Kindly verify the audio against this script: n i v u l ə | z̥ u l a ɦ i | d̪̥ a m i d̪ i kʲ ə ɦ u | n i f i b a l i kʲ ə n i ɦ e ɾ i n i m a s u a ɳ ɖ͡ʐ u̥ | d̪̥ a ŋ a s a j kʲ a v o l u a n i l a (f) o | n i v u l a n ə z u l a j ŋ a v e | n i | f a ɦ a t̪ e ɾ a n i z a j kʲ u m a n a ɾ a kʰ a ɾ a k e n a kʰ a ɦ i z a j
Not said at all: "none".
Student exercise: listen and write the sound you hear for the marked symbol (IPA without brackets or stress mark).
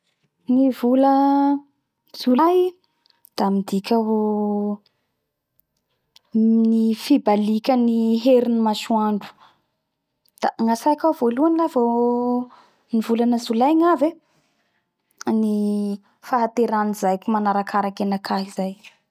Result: v